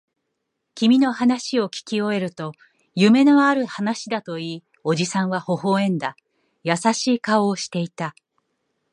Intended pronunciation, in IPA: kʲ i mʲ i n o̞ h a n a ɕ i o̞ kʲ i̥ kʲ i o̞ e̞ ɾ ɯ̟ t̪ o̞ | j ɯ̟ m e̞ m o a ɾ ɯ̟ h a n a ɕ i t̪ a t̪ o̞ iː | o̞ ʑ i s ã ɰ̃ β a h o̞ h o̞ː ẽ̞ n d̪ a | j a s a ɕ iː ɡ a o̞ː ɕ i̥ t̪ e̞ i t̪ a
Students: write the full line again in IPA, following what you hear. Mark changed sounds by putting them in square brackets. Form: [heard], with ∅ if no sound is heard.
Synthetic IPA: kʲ i mʲ i n o̞ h a n a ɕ i o̞ kʲ i̥ kʲ i o̞ e̞ ɾ ɯ̟ t̪ o̞ | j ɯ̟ m e̞ [n] o a ɾ ɯ̟ h a n a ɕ i [d̪] a t̪ o̞ iː | o̞ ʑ i s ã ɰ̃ β a h o̞ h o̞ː ẽ̞ n d̪ a | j a s a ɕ iː [k] a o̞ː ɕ i̥ t̪ e̞ i t̪ a